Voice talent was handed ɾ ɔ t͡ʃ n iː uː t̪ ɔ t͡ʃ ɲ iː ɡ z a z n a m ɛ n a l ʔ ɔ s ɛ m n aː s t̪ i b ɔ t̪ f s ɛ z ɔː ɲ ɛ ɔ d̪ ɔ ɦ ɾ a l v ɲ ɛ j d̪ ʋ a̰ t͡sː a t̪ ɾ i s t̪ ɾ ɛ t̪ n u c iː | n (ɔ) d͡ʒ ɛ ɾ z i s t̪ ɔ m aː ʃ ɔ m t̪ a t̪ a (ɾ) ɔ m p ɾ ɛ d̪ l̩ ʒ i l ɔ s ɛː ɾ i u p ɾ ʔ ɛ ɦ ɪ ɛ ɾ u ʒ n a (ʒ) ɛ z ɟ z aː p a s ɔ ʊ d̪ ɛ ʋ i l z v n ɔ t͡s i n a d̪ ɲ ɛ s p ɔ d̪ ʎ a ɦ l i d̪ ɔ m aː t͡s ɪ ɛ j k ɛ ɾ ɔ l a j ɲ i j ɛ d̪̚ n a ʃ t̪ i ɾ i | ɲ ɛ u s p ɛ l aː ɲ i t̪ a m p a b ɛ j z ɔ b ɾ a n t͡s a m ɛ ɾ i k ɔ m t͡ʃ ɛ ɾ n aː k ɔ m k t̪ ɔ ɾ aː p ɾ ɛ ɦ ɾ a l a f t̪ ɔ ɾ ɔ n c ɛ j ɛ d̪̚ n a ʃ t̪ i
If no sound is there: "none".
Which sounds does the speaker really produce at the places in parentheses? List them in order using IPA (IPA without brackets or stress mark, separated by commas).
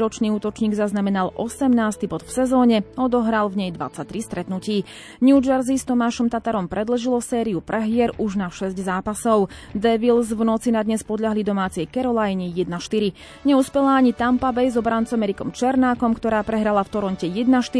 u, ɾ, ʃ